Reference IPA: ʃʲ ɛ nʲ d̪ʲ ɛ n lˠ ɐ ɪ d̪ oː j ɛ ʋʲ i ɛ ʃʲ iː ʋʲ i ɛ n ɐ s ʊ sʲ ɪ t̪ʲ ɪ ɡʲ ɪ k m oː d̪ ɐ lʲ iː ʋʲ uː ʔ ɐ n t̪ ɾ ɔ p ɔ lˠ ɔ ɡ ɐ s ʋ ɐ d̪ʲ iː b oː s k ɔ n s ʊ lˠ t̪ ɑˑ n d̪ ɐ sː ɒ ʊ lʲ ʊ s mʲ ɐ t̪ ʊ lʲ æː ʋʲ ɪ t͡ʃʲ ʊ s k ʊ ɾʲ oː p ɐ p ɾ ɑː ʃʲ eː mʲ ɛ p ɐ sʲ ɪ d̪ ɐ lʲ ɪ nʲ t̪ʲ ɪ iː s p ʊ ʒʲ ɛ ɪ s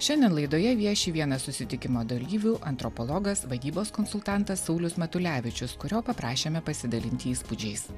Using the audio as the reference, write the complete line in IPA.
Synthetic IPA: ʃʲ ɛ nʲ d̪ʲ ɛ n lˠ ɐ ɪ d̪ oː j ɛ ʋʲ i ɛ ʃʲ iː ʋʲ i ɛ n ɐ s ʊ sʲ ɪ t̪ʲ ɪ kʲ ɪ m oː d̪ ɐ lʲ iː ʋʲ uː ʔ ɐ n t̪ ɾ ɔ p ɔ lˠ ɔ ɡ ɐ s ʋ ɐ d̪ʲ iː b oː s k ɔ n s ʊ lˠ t̪ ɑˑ n t̪ ɐ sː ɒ ʊ lʲ ʊ s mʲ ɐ t̪ ʊ lʲ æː ʋʲ ɪ t͡ʃʲ ʊ s k ʊ ɾʲ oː p ɐ p ɾ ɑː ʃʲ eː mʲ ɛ p ɐ sʲ ɪ d̪ ɐ lʲ ɪ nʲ t̪ʲ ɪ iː s p ʊ d͡ʒʲ ɛ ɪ s